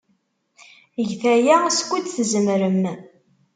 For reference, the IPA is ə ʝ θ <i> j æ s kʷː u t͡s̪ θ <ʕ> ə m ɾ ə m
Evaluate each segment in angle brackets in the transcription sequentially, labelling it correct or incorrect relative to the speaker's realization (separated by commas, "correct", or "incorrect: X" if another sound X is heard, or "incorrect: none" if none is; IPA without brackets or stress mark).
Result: incorrect: æ, incorrect: z